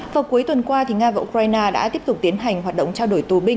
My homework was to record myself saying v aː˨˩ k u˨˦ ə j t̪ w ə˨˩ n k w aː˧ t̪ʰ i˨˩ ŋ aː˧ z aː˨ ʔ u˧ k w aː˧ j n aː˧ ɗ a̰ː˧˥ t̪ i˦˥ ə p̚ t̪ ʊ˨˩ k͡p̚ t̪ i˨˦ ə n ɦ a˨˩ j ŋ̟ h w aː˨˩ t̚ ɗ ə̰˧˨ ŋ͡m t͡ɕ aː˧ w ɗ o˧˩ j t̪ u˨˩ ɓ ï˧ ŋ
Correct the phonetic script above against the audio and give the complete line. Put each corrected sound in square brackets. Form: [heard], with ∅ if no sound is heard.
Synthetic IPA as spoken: v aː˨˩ k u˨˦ ə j t̪ w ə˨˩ n k w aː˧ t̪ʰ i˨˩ ŋ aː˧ [v] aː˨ ʔ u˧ k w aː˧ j n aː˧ ɗ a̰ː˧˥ t̪ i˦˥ ə p̚ t̪ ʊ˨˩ k͡p̚ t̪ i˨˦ ə n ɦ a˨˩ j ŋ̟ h w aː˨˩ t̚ ɗ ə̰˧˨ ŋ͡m t͡ɕ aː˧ w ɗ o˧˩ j t̪ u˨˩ ɓ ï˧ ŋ